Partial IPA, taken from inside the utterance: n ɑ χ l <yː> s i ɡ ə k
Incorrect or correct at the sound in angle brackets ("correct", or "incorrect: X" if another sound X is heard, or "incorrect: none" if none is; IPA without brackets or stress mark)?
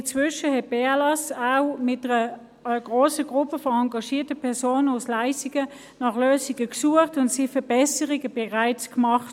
incorrect: øː